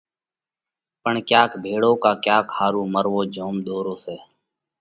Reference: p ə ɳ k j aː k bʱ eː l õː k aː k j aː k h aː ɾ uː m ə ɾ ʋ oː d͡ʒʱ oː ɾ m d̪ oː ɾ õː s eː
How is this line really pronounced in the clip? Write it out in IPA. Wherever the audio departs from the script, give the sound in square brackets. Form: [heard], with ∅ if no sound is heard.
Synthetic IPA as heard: p ə ɳ k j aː k bʱ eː [ɽ] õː k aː k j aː k h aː ɾ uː m ə ɾ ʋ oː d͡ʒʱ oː [∅] m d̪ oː ɾ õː s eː